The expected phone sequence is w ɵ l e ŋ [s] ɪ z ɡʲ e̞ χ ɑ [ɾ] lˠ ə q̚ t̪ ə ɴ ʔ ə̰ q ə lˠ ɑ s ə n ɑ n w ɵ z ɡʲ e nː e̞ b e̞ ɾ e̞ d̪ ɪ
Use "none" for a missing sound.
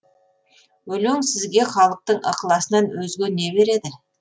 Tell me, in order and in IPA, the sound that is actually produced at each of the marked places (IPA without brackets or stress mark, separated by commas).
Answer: s, none